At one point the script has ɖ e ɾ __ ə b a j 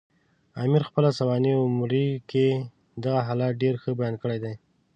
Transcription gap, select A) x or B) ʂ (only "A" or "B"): A